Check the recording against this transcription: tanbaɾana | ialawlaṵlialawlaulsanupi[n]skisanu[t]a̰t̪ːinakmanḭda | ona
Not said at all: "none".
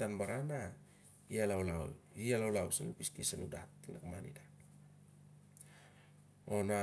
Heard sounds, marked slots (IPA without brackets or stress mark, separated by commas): none, d